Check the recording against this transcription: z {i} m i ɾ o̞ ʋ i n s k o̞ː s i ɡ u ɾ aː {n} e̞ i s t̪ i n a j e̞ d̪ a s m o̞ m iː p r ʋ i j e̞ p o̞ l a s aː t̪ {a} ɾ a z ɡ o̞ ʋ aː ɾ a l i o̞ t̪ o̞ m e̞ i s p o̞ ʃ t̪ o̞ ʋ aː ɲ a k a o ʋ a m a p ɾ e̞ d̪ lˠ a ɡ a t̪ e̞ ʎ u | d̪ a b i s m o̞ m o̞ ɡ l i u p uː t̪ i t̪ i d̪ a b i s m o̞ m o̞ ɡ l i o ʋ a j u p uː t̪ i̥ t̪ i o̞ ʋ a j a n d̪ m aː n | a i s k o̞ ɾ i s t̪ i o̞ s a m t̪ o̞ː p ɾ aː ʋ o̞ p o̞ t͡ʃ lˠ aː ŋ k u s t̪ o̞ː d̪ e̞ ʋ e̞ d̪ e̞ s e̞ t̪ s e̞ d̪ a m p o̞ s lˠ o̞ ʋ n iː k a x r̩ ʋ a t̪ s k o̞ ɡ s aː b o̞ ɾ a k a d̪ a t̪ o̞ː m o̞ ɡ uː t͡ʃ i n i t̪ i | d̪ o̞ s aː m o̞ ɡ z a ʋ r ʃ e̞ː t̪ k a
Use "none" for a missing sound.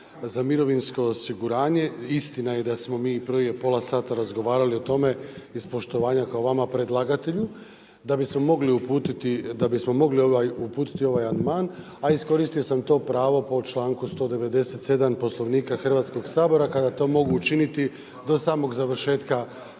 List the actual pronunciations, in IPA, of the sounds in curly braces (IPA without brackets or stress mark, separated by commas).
a, ɲ, a